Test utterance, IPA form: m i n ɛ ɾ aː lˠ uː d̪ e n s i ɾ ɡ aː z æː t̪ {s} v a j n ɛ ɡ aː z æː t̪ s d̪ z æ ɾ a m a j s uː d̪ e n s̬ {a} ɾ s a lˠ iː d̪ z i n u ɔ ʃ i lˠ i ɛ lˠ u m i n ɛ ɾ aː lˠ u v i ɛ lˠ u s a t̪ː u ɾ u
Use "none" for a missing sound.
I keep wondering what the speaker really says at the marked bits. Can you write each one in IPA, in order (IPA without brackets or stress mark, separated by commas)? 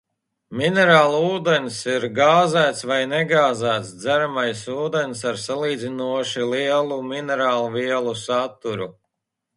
s, a